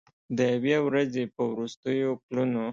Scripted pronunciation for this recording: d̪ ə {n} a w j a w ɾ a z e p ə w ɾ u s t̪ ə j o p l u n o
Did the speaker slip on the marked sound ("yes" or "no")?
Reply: yes